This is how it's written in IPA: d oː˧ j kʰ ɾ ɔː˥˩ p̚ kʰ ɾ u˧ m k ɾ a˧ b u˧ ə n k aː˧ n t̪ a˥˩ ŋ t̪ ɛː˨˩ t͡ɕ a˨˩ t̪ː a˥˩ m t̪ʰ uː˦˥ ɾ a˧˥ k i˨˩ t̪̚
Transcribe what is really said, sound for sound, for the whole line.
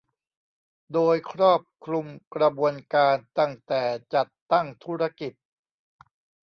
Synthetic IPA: d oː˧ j kʰ ɾ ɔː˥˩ p̚ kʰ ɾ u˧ m k ɾ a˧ b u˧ ə n k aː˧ n t̪ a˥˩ ŋ t̪ ɛː˨˩ t͡ɕ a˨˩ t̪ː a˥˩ ŋ t̪ʰ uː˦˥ ɾ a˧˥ k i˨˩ t̪̚